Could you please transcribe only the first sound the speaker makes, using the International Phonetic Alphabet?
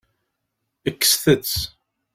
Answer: ə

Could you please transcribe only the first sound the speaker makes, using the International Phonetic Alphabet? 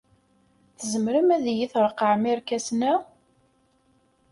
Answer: θ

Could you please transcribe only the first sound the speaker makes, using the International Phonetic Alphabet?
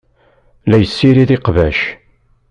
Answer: l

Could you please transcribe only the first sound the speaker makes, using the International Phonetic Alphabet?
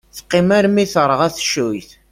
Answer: θ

